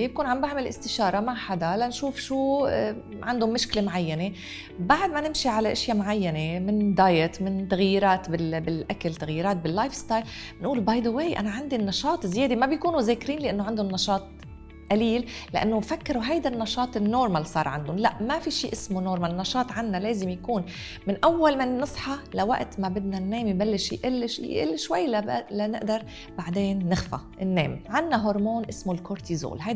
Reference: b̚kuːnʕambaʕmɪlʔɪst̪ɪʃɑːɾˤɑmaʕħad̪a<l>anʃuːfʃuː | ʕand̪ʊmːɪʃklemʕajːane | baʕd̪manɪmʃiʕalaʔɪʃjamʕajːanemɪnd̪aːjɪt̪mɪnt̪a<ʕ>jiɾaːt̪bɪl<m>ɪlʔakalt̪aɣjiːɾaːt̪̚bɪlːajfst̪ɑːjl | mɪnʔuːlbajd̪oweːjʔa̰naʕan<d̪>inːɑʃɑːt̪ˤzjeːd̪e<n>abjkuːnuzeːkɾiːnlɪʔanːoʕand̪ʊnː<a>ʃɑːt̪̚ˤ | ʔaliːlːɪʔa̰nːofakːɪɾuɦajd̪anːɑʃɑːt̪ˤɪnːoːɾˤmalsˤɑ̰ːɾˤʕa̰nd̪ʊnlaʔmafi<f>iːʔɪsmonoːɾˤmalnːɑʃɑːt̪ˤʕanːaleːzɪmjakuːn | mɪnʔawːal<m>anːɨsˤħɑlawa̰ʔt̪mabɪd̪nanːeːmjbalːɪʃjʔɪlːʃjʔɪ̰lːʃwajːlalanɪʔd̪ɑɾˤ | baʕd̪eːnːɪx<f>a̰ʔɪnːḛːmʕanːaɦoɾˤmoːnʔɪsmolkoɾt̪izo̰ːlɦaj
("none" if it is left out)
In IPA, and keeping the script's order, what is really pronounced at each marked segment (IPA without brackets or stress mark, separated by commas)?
l, ɣ, b, d̪, m, ɑ, ʃ, m, f